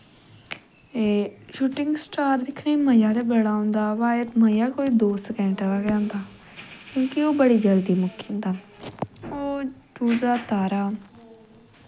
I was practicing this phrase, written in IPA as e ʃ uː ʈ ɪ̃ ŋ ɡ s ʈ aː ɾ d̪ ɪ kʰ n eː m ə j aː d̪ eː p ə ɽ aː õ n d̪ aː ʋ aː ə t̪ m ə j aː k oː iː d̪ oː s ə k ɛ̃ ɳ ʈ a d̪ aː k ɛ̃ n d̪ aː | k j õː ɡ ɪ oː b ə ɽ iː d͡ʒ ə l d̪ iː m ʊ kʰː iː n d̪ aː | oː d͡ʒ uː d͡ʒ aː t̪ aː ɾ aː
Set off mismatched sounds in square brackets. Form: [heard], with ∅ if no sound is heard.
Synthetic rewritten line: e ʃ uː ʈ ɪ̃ ŋ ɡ s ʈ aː ɾ d̪ ɪ kʰ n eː m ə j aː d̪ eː [b] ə ɽ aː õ n d̪ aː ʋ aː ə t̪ m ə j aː k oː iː d̪ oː s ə k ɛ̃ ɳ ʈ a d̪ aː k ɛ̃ n d̪ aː | k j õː [k] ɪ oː b ə ɽ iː d͡ʒ ə l d̪ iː m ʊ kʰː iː n d̪ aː | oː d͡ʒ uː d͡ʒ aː t̪ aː ɾ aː